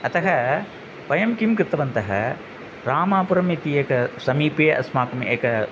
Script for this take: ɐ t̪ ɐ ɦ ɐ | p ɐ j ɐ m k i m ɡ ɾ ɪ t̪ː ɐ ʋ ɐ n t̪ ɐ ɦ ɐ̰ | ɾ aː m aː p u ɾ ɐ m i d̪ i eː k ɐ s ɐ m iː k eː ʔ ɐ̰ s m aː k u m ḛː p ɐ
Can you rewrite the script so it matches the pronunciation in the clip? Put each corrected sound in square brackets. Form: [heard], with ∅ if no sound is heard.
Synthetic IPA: ɐ t̪ ɐ ɦ ɐ | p ɐ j ɐ m k i m [k] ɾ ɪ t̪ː ɐ ʋ ɐ n t̪ ɐ ɦ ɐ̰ | ɾ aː m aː p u ɾ ɐ m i [t̪] i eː k ɐ s ɐ m iː [p] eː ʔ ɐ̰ s m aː k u m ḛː [k] ɐ